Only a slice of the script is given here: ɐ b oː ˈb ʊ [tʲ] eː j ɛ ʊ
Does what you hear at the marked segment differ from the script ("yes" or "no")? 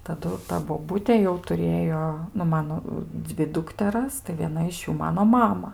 no